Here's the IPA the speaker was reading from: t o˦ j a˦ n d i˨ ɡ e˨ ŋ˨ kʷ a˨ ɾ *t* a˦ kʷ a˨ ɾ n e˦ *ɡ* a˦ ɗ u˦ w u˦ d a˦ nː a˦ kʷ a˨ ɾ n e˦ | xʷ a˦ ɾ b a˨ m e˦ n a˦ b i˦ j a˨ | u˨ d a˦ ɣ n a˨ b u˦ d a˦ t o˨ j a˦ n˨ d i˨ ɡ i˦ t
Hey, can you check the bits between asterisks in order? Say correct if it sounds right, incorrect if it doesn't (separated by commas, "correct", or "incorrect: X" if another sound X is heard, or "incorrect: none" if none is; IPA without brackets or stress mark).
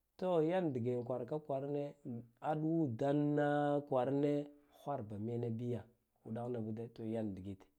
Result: incorrect: k, incorrect: none